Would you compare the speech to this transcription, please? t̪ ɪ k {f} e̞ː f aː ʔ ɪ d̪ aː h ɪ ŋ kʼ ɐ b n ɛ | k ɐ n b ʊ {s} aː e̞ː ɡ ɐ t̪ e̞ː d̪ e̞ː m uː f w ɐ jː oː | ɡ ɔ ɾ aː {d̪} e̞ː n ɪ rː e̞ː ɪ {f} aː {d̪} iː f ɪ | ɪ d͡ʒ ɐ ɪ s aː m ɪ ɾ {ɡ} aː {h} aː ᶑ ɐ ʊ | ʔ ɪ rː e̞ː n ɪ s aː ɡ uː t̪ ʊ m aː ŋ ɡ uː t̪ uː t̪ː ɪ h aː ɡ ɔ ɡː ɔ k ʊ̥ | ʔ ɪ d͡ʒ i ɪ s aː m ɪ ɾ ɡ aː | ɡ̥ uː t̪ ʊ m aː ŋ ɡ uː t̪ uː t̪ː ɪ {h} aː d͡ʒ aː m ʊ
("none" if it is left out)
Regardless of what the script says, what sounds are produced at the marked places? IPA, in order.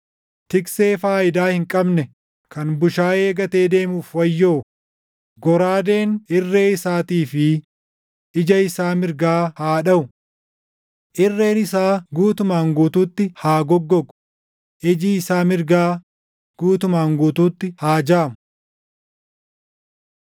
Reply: s, ʃ, d̪, s, t̪, ɡ, h, h

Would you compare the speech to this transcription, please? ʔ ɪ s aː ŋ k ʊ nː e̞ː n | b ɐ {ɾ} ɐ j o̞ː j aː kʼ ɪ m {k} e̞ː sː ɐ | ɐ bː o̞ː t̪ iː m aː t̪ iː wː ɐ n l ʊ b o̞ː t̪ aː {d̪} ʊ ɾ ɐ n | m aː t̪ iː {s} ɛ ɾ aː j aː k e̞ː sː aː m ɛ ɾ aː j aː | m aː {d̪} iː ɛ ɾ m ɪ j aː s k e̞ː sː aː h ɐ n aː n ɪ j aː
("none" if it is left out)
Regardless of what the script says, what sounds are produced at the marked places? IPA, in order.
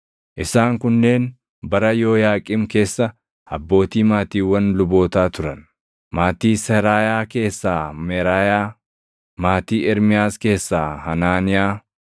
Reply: ɾ, k, t̪, s, t̪

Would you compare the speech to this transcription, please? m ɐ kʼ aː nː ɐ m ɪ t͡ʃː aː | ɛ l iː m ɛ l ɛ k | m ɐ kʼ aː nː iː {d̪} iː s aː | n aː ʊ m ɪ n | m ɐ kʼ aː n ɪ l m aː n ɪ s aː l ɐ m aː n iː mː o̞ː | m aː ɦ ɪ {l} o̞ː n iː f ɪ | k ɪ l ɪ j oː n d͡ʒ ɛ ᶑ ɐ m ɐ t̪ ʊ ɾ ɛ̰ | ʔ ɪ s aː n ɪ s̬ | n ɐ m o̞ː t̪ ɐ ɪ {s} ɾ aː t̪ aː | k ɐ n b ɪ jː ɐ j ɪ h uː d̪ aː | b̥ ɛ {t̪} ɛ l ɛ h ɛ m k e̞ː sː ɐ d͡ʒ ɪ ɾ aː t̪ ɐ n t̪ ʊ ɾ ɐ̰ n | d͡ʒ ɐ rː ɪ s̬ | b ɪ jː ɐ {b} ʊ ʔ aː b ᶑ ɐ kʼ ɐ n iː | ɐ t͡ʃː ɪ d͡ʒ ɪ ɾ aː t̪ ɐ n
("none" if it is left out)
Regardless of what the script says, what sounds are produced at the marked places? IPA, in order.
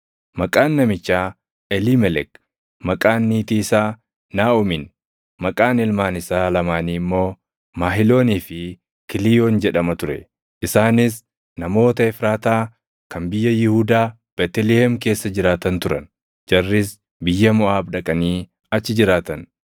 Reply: t̪, l, f, t̪, m

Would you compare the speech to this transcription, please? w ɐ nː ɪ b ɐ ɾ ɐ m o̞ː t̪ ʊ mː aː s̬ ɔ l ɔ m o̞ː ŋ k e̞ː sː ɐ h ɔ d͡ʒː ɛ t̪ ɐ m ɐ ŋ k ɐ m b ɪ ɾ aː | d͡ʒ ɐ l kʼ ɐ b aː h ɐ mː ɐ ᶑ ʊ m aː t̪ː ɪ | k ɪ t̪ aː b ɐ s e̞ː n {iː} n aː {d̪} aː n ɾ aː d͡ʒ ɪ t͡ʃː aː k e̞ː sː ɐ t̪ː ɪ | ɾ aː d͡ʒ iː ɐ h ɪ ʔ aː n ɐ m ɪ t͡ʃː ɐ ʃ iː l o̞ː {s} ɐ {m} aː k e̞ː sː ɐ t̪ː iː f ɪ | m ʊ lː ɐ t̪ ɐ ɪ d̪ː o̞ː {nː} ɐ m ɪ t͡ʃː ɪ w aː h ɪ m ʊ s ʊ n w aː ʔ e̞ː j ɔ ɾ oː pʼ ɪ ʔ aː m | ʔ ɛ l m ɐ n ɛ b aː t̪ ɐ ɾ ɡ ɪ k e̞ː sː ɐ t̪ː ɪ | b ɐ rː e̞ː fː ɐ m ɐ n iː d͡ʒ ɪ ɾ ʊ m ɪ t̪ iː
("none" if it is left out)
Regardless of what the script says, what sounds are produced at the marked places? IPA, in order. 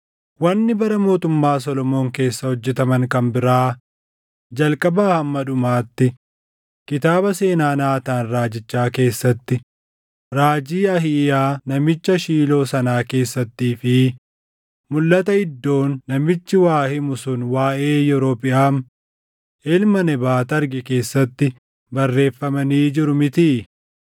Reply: aː, t̪, s, n, nː

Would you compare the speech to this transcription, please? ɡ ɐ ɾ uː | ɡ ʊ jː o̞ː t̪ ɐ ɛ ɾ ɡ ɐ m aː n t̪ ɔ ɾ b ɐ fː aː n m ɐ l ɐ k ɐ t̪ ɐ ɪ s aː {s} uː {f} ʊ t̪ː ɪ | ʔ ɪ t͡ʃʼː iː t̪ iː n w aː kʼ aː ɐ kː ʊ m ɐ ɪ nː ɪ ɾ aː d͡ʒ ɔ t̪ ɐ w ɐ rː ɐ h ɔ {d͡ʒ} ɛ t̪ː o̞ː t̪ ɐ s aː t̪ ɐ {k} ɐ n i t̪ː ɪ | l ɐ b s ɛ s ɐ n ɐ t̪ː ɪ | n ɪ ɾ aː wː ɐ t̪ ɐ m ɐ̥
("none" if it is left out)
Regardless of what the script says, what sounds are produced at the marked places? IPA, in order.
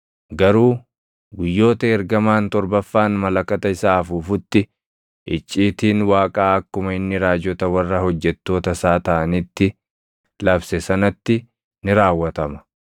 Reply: f, f, d͡ʒː, ʔ

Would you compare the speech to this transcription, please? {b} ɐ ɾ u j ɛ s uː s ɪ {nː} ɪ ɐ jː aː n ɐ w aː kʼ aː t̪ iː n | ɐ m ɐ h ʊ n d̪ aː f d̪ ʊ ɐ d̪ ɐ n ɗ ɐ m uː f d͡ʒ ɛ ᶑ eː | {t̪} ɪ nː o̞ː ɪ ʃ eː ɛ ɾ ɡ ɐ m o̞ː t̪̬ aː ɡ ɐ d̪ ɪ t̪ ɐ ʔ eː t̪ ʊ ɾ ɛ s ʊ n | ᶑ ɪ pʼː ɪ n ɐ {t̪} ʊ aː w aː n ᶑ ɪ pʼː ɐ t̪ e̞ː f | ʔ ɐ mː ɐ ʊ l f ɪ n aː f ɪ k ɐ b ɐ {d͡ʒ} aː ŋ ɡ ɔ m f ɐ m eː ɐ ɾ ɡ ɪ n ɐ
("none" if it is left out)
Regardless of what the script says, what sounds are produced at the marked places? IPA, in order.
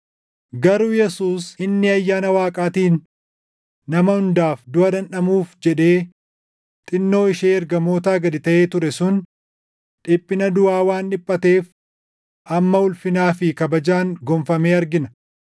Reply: ɡ, nː, t̪ʼ, d̪, d͡ʒ

